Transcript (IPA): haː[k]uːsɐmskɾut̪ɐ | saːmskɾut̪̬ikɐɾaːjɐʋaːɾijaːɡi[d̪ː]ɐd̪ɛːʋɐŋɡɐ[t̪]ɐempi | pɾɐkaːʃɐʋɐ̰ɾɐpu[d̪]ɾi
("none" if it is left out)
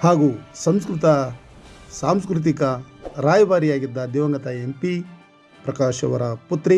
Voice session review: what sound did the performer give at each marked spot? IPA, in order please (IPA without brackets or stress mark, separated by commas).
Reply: ɡ, d̪ː, t̪, t̪